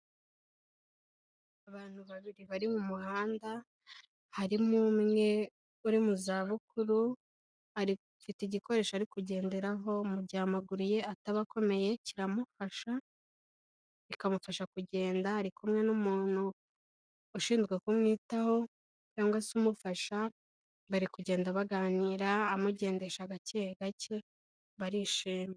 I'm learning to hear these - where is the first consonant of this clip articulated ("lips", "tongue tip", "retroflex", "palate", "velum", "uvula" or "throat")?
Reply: lips